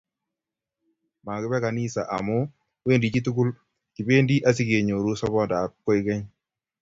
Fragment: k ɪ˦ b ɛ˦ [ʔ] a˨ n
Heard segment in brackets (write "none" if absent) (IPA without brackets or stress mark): k